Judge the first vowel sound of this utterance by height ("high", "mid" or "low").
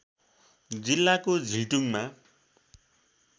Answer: high